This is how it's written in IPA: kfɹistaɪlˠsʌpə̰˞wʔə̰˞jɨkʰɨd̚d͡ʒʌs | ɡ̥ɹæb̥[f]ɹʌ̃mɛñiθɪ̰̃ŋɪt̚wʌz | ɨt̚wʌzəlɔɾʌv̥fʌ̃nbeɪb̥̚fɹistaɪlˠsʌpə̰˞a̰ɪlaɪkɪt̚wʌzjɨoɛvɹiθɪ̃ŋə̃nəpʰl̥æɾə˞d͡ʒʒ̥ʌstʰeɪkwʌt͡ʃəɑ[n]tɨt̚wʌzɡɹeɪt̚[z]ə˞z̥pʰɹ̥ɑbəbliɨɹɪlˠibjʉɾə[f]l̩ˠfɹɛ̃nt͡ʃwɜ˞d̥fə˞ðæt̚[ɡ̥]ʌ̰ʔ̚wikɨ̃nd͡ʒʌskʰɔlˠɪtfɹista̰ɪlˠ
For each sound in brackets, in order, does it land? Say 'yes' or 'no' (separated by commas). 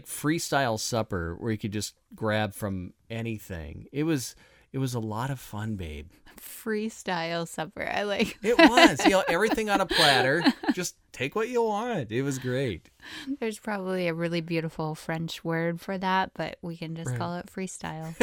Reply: yes, yes, no, yes, no